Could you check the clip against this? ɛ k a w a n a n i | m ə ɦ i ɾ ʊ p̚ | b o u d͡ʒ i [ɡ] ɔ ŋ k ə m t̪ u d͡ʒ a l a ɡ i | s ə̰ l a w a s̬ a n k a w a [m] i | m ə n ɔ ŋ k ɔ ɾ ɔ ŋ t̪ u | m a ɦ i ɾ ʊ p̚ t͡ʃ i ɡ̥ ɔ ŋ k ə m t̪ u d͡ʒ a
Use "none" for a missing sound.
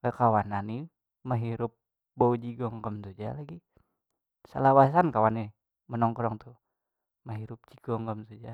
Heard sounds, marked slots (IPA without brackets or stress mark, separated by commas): ɡ, n